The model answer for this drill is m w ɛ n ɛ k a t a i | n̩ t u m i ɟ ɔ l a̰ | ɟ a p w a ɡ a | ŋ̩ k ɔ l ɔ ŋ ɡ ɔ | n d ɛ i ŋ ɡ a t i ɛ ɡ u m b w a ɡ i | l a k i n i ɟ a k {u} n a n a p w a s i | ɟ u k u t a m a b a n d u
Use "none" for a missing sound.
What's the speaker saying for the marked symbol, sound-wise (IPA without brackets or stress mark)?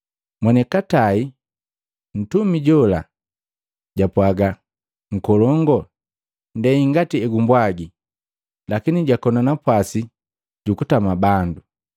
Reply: ɔ